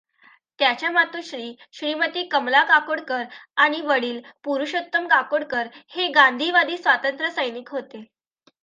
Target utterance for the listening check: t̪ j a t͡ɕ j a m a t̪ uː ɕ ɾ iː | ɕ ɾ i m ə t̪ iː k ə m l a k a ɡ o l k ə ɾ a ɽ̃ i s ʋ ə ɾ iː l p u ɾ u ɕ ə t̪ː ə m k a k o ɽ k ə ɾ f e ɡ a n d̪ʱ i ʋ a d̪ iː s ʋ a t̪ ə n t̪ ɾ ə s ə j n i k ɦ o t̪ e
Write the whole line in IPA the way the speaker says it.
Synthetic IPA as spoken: t̪ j a t͡ɕ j a m a t̪ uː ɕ ɾ iː | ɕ ɾ i m ə t̪ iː k ə m l a k a k o ɽ k ə ɾ a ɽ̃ i ʋ ə ɽ iː l p u ɾ u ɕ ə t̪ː ə m k a k o ɽ k ə ɾ h e ɡ a n d̪ʱ i ʋ a d̪ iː s ʋ a t̪ ə n t̪ ɾ ə s ə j n i k ɦ o t̪ e